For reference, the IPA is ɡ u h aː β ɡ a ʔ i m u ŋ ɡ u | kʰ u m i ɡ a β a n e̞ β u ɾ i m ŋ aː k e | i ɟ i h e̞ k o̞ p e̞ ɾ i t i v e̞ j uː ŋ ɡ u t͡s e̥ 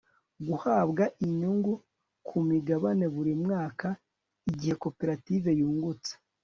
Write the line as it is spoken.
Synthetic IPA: ɡ u h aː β ɡ a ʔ i ɲ u ŋ ɡ u | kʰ u m i ɡ a β a n e̞ β u ɾ i m ŋ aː k a | i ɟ i h e̞ k o̞ p e̞ ɾ a t i v e̞ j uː ŋ ɡ u t͡s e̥